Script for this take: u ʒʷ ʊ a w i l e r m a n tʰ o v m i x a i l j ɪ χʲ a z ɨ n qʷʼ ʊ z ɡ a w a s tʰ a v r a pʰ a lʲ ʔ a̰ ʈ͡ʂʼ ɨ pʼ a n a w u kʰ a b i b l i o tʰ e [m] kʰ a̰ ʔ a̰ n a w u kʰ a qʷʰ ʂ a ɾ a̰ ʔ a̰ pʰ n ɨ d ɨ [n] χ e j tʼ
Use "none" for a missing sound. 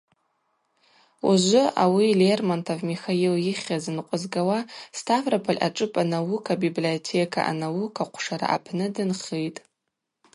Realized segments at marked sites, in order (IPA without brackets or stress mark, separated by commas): none, n